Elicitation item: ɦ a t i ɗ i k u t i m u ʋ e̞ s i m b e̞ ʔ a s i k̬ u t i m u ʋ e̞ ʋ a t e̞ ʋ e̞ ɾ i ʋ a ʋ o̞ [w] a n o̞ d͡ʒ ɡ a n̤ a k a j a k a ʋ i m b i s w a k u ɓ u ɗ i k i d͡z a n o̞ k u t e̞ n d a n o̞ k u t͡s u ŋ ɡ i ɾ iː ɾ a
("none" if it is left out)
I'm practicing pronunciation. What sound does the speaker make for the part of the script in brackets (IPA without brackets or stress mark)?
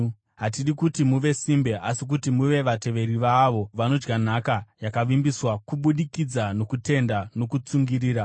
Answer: ʋ